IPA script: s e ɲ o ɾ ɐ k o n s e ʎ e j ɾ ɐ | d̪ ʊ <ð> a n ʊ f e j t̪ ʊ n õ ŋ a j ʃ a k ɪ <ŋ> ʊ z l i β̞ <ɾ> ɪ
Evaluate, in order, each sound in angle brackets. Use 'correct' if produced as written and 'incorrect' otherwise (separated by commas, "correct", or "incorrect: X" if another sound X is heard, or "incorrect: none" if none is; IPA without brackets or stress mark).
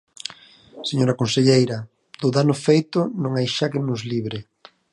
correct, incorrect: n, correct